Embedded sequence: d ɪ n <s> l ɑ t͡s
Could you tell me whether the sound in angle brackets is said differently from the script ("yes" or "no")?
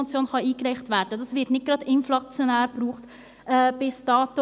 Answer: yes